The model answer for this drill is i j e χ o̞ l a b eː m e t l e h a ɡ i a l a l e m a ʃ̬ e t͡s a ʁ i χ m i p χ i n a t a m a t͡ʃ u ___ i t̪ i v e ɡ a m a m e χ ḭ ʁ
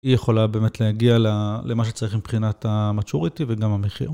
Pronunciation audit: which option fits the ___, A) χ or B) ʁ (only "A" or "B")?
B